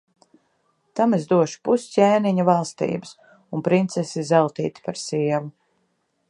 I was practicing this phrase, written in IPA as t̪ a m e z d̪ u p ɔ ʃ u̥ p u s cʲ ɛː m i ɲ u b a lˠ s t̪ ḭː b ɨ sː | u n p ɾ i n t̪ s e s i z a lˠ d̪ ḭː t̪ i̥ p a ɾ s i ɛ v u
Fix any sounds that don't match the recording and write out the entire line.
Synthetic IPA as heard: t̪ a m e z d̪ u ɔ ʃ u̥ p u s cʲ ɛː n i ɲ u v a lˠ s t̪ ḭː b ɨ s | u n p ɾ i n t̪ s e s i z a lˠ t̪ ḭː t̪ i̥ p a ɾ s i ɛ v u